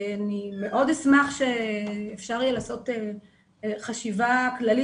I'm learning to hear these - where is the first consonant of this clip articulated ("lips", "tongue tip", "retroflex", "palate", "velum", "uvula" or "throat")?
tongue tip